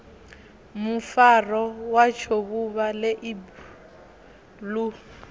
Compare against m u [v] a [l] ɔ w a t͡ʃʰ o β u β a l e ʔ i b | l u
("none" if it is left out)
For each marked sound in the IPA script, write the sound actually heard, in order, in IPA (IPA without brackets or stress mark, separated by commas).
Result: f, r